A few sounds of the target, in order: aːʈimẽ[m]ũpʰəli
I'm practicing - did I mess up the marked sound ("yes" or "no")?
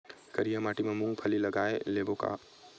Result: no